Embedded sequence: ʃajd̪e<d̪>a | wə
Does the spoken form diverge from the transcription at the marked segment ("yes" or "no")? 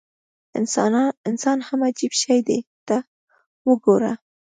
yes